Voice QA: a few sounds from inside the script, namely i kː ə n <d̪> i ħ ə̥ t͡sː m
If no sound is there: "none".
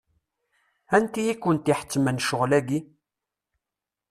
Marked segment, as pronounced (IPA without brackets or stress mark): t̪